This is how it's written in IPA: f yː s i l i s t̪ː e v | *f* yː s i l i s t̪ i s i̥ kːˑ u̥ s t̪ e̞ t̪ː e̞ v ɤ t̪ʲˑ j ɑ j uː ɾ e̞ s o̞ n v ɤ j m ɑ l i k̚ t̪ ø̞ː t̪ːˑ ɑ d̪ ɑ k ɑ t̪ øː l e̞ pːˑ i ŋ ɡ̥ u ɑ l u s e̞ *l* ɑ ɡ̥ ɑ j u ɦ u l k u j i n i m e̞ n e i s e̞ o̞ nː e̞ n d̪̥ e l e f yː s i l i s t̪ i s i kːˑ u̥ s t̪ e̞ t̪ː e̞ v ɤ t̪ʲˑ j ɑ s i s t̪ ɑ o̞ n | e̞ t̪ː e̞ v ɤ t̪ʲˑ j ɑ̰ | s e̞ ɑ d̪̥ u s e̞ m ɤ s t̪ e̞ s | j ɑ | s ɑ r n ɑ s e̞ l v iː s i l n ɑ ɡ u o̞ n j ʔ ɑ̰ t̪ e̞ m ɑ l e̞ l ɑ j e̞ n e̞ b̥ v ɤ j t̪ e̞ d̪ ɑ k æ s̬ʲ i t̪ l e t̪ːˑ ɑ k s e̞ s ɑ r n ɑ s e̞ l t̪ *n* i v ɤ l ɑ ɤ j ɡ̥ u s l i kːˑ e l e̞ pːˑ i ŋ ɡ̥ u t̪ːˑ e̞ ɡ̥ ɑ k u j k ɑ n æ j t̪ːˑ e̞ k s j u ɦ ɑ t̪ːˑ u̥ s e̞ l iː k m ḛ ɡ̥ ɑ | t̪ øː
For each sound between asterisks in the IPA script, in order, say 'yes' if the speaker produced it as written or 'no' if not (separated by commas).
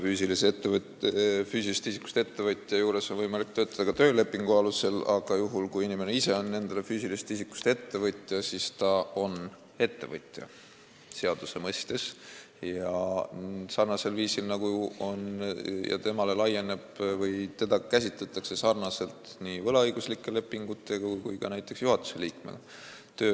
yes, yes, yes